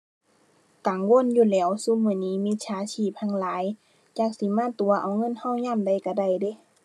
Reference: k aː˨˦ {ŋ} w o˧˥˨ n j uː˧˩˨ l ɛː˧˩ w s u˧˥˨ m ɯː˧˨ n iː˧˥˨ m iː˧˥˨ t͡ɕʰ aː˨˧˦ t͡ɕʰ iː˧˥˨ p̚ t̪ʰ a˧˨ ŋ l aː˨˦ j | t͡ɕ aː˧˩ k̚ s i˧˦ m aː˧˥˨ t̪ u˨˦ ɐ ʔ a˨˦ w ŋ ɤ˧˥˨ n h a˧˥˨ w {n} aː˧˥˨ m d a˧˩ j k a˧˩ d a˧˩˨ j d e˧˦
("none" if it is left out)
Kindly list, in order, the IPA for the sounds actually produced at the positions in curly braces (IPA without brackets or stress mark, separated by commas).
ŋ, ɲ